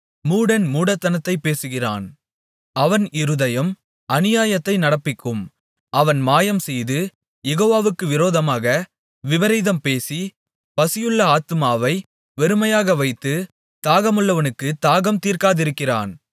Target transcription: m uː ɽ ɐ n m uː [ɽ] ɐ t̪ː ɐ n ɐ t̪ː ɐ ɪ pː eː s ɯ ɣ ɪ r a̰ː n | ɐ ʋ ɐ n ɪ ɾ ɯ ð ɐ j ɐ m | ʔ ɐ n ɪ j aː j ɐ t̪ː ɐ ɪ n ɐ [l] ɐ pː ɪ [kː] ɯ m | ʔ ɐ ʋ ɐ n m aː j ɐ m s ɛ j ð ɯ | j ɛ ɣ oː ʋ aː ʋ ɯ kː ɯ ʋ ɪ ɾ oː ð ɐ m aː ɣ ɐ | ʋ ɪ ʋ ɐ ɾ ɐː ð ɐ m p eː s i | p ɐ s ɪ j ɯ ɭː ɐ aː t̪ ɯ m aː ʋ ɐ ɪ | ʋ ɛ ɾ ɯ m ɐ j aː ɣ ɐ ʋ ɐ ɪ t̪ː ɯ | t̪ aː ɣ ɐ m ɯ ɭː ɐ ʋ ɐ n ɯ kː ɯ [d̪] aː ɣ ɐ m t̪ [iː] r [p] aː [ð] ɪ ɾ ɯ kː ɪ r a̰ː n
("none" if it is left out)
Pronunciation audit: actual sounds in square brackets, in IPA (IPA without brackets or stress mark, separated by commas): ɽ, ɽ, kː, t̪, iː, k, ð